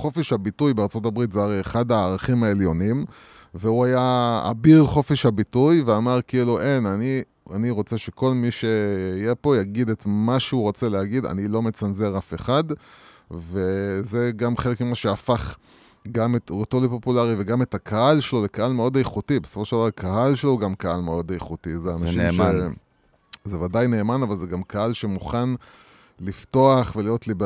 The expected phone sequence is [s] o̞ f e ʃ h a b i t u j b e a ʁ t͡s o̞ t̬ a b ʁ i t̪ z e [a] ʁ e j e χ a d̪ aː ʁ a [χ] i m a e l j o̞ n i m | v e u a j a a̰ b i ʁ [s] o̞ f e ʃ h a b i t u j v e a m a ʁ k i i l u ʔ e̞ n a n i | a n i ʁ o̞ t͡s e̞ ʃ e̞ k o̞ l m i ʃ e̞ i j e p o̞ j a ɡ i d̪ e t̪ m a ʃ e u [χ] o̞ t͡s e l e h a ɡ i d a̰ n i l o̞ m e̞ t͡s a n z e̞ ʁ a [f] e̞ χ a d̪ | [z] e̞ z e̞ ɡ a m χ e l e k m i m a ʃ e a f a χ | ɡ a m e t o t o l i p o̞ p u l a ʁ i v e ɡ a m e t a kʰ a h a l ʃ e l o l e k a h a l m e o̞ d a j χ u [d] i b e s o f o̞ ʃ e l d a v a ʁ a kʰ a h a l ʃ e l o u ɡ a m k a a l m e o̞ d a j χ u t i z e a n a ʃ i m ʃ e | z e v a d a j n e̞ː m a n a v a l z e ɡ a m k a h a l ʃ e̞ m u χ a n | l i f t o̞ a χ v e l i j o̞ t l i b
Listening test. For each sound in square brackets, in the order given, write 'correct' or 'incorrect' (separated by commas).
incorrect, correct, correct, incorrect, incorrect, correct, incorrect, incorrect